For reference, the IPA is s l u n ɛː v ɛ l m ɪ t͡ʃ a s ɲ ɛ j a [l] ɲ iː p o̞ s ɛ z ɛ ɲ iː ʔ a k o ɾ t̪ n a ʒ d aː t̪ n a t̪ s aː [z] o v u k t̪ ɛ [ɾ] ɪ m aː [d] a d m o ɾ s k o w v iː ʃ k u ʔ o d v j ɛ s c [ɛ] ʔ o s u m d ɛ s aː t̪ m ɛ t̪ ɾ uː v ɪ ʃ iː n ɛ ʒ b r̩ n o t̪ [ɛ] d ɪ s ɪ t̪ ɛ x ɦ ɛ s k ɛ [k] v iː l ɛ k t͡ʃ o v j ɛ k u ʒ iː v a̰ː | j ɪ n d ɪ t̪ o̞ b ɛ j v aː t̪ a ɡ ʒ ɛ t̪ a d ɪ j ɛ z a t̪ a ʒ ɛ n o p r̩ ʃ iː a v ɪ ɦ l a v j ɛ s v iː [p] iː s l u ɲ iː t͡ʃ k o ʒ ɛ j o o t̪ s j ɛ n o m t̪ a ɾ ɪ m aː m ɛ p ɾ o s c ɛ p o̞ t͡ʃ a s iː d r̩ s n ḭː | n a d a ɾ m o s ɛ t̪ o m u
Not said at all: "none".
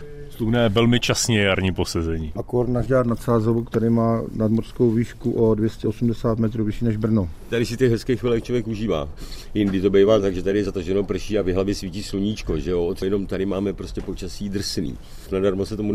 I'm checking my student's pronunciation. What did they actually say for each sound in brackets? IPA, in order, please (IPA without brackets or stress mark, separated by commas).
ɾ, z, ɾ, n, ɛ, a, x, c